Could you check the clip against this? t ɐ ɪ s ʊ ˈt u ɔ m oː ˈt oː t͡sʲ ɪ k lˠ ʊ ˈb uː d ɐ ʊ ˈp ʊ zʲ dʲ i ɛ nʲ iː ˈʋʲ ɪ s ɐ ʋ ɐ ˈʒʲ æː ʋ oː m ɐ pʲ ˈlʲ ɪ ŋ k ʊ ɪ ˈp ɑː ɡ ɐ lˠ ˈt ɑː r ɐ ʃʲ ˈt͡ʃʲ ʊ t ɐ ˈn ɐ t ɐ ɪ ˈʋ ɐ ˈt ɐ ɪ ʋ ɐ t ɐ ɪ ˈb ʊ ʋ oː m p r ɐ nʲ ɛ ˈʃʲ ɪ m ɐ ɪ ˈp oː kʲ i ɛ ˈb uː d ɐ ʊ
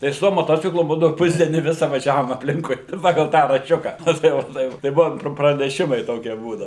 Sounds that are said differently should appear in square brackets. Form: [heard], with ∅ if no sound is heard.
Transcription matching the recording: t ɐ ɪ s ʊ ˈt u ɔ m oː ˈt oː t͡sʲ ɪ k lˠ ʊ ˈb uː d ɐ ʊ ˈp ʊ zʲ dʲ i ɛ nʲ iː ˈʋʲ ɪ s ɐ ʋ ɐ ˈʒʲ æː ʋ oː m ɐ pʲ ˈlʲ ɪ ŋ k ʊ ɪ ˈp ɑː ɡ ɐ lˠ ˈt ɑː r ɐ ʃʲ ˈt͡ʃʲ ʊ [k] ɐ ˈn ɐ t ɐ ɪ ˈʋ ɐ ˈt ɐ ɪ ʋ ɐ t ɐ ɪ ˈb ʊ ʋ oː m p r ɐ nʲ ɛ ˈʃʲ ɪ m ɐ ɪ [ˈt] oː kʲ i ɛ ˈb uː d ɐ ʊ

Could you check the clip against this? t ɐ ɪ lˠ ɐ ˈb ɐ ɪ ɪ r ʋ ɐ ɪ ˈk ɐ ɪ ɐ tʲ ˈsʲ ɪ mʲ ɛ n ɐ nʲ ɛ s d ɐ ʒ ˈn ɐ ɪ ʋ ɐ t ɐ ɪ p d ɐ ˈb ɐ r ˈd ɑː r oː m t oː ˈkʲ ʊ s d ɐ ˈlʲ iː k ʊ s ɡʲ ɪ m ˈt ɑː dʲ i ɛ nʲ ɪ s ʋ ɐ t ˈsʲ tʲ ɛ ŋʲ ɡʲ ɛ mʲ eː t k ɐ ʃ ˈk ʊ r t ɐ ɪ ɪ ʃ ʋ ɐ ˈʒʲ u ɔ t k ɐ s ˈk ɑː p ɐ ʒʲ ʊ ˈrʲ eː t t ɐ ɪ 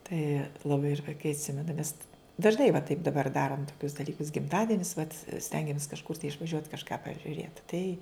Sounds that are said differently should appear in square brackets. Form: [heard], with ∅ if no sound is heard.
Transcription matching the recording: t ɐ ɪ lˠ ɐ ˈb ɐ ɪ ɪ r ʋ ɐ ɪ ˈk ɐ ɪ ɐ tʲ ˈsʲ ɪ mʲ ɛ n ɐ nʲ ɛ s d ɐ ʒ ˈn ɐ ɪ ʋ ɐ t ɐ ɪ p d ɐ ˈb ɐ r ˈd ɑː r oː m t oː ˈkʲ ʊ s d ɐ ˈlʲ iː k ʊ s ɡʲ ɪ m ˈt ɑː dʲ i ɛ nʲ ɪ s ʋ ɐ t ˈsʲ tʲ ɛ ŋʲ ɡʲ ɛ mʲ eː [s] k ɐ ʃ ˈk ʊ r t ɐ ɪ ɪ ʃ ʋ ɐ ˈʒʲ u ɔ t k ɐ [ʃ] ˈk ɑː p ɐ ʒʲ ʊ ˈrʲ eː t t ɐ ɪ

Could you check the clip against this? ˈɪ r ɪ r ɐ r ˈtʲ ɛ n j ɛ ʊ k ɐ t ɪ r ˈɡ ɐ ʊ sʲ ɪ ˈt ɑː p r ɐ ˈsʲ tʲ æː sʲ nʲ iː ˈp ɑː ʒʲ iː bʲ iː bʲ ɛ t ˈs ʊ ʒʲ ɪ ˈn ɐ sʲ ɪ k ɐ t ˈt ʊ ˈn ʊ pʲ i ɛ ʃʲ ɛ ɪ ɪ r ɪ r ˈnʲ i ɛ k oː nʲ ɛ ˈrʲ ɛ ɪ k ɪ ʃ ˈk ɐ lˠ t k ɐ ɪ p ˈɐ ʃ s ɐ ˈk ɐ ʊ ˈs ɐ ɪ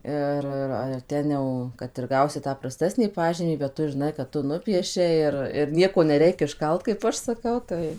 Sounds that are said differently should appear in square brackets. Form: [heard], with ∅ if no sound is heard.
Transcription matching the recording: ˈɪ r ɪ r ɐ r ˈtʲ ɛ n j ɛ ʊ k ɐ t ɪ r ˈɡ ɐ ʊ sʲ ɪ ˈt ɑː p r ɐ ˈsʲ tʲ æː sʲ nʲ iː ˈp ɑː ʒʲ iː [mʲ] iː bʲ ɛ t [ˈt] ʊ ʒʲ ɪ ˈn ɐ [∅] ɪ k ɐ t ˈt ʊ ˈn ʊ pʲ i ɛ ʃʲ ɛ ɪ ɪ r ɪ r ˈnʲ i ɛ k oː nʲ ɛ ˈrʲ ɛ ɪ k ɪ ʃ ˈk ɐ lˠ t k ɐ ɪ p ˈɐ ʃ s ɐ ˈk ɐ ʊ [ˈt] ɐ ɪ

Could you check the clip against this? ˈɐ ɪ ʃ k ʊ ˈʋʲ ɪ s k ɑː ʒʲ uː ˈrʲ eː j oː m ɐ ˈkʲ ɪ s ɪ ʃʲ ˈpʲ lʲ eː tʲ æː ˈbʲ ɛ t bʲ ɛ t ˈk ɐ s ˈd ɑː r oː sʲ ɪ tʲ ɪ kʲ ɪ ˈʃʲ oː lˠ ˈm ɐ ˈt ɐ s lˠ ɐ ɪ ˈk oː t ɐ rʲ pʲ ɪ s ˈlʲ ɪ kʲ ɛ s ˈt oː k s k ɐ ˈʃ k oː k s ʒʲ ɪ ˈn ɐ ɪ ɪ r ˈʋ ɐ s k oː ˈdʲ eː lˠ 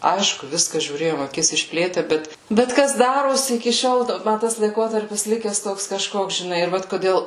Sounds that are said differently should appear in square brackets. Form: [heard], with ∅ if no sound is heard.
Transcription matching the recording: ˈɐ ɪ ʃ k ʊ ˈʋʲ ɪ s k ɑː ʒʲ uː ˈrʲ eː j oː m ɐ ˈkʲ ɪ s ɪ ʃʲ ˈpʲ lʲ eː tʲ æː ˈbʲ ɛ t bʲ ɛ t ˈk ɐ s ˈd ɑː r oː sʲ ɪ [∅] ɪ kʲ ɪ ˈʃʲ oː lˠ ˈm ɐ ˈt ɐ s lˠ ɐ ɪ ˈk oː t ɐ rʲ pʲ ɪ s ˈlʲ ɪ kʲ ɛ s ˈt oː k s k ɐ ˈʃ k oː k s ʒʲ ɪ ˈn ɐ ɪ ɪ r ˈʋ ɐ [t] k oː ˈdʲ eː lˠ

